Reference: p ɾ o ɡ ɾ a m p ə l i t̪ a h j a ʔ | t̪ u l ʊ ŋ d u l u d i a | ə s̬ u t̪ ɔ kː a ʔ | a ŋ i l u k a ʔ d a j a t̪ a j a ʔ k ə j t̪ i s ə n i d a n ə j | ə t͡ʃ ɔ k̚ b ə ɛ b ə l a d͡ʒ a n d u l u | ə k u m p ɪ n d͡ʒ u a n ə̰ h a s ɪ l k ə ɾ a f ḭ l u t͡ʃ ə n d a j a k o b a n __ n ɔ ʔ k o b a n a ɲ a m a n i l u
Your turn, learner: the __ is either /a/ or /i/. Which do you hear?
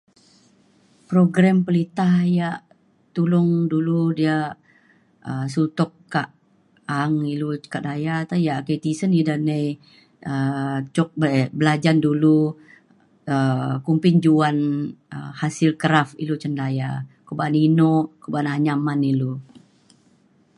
i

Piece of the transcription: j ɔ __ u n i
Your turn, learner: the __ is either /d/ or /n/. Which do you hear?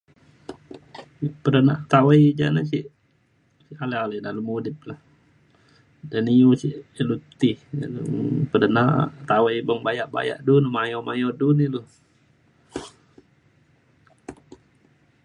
d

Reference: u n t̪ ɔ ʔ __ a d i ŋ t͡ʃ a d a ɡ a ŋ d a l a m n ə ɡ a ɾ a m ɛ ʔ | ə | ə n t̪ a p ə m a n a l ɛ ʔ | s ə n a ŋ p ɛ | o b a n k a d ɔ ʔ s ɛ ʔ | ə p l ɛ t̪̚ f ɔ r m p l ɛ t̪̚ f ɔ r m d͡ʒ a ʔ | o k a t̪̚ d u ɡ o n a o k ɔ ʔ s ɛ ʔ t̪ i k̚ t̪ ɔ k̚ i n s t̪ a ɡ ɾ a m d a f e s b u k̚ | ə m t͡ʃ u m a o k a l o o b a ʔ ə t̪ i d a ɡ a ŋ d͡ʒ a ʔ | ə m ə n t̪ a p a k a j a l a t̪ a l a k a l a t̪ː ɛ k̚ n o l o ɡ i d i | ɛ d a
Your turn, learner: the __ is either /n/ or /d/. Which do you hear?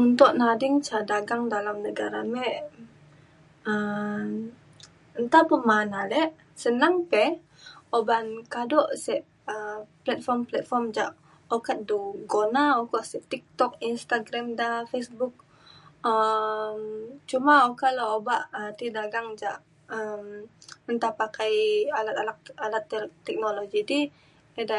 n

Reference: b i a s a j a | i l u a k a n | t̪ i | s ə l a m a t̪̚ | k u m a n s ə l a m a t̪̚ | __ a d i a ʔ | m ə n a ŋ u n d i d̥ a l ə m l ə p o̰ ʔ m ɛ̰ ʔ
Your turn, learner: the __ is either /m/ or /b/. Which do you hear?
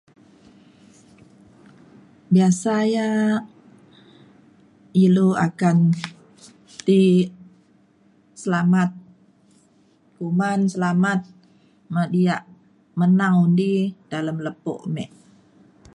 m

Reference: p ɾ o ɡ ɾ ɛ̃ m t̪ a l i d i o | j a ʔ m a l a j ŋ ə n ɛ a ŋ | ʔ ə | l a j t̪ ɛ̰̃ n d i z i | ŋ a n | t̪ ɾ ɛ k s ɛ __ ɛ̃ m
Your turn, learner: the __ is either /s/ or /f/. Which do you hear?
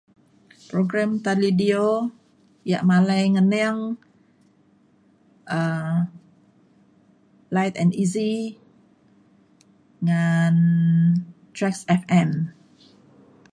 f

